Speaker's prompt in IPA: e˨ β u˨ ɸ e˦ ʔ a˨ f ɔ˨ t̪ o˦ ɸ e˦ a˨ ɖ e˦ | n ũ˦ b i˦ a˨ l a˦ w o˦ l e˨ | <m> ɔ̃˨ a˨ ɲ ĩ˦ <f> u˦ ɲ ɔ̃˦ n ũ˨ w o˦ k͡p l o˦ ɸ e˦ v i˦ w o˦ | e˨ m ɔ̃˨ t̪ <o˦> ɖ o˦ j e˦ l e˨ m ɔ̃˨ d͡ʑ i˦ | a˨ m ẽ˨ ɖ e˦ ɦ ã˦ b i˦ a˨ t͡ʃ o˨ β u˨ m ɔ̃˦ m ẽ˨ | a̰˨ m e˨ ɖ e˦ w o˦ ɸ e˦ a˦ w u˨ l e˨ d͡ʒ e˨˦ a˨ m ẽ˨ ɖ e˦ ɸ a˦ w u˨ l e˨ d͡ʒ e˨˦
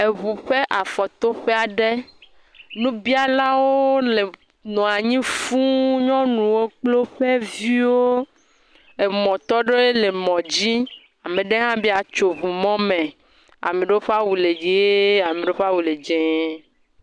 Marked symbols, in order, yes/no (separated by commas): no, yes, no